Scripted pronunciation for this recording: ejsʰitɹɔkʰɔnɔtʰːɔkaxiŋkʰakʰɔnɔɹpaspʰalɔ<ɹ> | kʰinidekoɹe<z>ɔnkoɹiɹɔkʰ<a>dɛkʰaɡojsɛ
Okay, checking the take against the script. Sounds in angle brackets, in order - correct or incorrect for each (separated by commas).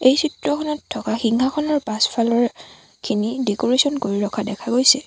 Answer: correct, incorrect, correct